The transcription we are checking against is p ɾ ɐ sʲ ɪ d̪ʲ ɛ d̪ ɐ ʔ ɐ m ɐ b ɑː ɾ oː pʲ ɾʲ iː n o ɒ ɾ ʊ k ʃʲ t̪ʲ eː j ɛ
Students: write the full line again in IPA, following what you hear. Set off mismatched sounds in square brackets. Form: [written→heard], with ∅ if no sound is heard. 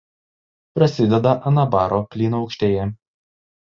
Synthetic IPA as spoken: p ɾ ɐ sʲ ɪ d̪ʲ ɛ d̪ ɐ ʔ ɐ [m→n] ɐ b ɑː ɾ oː pʲ [ɾʲ→lʲ] iː n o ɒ [ɾ→∅] ʊ k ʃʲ t̪ʲ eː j ɛ

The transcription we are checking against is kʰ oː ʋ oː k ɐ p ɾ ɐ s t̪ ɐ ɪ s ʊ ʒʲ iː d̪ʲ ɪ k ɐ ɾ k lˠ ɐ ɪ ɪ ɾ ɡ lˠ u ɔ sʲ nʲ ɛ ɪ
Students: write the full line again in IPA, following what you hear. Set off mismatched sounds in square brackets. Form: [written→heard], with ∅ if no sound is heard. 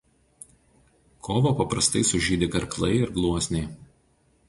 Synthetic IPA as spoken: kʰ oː ʋ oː [k→p] ɐ p ɾ ɐ s t̪ ɐ ɪ s ʊ ʒʲ iː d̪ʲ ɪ k ɐ ɾ k lˠ ɐ ɪ ɪ ɾ ɡ lˠ u ɔ sʲ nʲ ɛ ɪ

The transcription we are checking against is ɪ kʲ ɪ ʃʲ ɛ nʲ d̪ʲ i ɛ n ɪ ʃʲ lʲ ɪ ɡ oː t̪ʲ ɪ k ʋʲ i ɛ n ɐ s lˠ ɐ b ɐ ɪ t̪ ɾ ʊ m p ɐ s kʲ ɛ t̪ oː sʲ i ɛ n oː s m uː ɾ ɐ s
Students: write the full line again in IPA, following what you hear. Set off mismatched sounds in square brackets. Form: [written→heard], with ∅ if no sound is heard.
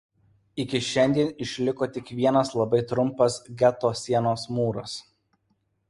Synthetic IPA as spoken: ɪ kʲ ɪ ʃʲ ɛ nʲ d̪ʲ i ɛ n ɪ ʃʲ lʲ ɪ [ɡ→k] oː t̪ʲ ɪ k ʋʲ i ɛ n ɐ s lˠ ɐ b ɐ ɪ t̪ ɾ ʊ m p ɐ s [kʲ→ɡʲ] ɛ t̪ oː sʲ i ɛ n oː s m uː ɾ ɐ s

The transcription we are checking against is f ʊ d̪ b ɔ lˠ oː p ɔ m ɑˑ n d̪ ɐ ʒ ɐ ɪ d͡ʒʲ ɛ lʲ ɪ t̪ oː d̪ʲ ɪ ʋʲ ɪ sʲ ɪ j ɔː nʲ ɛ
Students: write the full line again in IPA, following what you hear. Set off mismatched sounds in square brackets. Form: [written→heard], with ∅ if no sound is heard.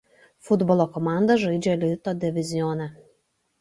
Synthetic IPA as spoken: f ʊ d̪ b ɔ lˠ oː [p→k] ɔ m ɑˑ n d̪ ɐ ʒ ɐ ɪ d͡ʒʲ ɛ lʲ ɪ t̪ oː d̪ʲ ɪ ʋʲ ɪ [sʲ→zʲ] ɪ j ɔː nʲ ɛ

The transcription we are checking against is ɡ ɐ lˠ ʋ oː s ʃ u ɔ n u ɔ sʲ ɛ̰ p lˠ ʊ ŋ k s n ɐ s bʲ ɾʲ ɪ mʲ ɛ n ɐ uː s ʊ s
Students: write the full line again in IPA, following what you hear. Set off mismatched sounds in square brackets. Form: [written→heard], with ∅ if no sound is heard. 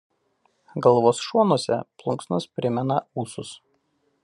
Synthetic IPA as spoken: ɡ ɐ lˠ ʋ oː s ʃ u ɔ n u ɔ sʲ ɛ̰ p lˠ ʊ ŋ k s n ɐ s [bʲ→pʲ] ɾʲ ɪ mʲ ɛ n ɐ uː s ʊ s

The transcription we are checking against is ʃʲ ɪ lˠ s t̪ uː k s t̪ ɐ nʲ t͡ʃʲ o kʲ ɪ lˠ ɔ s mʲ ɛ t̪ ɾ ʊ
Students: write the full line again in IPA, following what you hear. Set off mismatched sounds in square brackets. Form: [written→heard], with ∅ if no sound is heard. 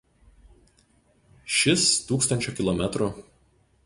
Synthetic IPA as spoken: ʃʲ ɪ [lˠ→∅] s t̪ uː k s t̪ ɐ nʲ t͡ʃʲ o kʲ ɪ lˠ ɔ [s→∅] mʲ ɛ t̪ ɾ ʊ

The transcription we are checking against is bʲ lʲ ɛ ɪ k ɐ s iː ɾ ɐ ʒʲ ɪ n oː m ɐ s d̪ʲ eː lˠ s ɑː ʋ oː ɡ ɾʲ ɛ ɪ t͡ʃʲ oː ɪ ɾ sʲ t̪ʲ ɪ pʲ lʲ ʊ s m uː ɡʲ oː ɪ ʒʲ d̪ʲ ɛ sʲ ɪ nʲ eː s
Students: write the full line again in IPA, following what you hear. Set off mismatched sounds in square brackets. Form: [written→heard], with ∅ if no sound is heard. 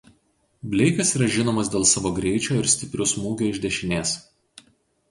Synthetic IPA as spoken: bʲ lʲ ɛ ɪ k ɐ s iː ɾ ɐ ʒʲ ɪ n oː m ɐ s d̪ʲ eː lˠ s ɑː ʋ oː ɡ ɾʲ ɛ ɪ t͡ʃʲ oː ɪ ɾ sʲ t̪ʲ ɪ pʲ [lʲ→ɾʲ] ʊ s m uː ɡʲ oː ɪ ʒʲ d̪ʲ ɛ [sʲ→ʃʲ] ɪ nʲ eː s

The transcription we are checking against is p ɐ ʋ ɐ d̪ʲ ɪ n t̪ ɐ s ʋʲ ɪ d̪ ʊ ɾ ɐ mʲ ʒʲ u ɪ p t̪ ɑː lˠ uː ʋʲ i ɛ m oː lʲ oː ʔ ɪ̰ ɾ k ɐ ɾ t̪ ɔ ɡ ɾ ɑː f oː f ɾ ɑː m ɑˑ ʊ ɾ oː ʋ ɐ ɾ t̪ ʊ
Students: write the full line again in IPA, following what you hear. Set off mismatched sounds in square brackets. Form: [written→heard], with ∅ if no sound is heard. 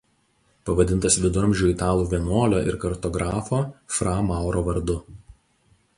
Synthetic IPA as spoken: p ɐ ʋ ɐ d̪ʲ ɪ n t̪ ɐ s ʋʲ ɪ d̪ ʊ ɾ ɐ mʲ ʒʲ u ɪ [p→∅] t̪ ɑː lˠ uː ʋʲ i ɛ [m→n] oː lʲ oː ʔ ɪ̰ ɾ k ɐ ɾ t̪ ɔ ɡ ɾ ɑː f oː f ɾ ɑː m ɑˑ ʊ ɾ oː ʋ ɐ ɾ [t̪→d̪] ʊ

